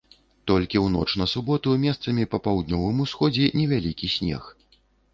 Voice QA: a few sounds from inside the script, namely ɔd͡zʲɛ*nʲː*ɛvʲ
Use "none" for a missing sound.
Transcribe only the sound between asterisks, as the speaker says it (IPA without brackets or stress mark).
nʲ